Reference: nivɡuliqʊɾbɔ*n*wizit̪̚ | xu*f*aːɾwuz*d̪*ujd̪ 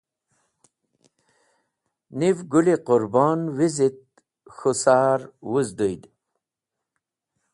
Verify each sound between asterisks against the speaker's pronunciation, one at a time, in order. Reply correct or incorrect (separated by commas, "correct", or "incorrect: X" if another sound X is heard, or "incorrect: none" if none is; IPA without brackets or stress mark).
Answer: correct, incorrect: s, correct